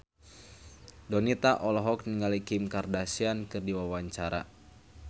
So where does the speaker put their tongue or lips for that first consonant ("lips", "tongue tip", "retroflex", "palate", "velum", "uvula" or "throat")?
tongue tip